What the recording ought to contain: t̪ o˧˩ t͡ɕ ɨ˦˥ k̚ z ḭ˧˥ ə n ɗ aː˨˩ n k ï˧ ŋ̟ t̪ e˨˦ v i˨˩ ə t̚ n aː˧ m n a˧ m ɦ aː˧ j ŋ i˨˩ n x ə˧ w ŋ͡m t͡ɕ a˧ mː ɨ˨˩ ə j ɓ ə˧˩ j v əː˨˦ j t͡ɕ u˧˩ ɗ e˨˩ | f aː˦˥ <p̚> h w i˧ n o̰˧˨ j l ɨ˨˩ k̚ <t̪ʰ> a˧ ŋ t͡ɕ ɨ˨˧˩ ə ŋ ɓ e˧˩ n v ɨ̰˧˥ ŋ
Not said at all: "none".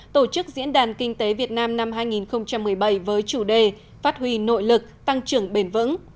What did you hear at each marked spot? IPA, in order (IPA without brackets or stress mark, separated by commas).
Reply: t̚, t̪